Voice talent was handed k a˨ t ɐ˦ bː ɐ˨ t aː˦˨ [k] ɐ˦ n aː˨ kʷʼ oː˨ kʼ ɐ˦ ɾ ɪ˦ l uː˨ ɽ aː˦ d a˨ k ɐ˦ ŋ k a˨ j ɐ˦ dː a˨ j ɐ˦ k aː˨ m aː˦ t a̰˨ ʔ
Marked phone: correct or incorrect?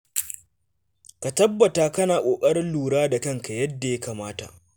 correct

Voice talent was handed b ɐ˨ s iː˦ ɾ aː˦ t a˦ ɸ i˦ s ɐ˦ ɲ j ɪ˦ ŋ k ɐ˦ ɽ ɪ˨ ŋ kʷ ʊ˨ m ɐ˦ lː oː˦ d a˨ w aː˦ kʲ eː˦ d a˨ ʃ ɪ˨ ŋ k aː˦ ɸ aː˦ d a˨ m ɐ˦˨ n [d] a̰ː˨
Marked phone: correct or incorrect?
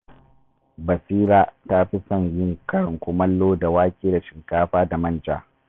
incorrect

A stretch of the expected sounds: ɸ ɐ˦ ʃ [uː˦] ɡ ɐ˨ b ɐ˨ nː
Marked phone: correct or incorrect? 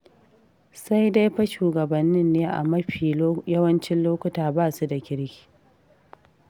incorrect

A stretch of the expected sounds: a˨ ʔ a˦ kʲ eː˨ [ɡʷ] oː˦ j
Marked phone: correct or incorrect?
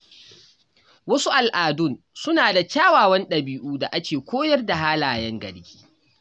incorrect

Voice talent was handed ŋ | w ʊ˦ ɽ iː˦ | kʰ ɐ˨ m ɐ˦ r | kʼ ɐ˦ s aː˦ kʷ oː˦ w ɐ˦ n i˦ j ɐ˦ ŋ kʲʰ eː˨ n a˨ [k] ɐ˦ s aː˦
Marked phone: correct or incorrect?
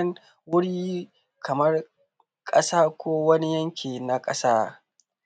incorrect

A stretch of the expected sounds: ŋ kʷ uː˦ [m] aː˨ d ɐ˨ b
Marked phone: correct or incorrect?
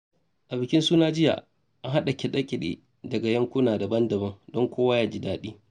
incorrect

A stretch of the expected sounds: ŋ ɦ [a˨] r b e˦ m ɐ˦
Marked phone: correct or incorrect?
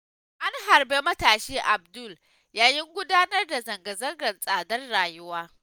correct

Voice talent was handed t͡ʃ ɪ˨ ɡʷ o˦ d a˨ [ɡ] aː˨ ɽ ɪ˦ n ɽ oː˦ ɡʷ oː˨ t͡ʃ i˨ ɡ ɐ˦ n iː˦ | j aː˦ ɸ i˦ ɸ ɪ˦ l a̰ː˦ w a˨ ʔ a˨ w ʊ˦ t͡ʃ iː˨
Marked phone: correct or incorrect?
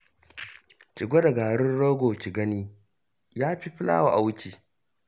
correct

